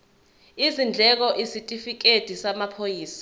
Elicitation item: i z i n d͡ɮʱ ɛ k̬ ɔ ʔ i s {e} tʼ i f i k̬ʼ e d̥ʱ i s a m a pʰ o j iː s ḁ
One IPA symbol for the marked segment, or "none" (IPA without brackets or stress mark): i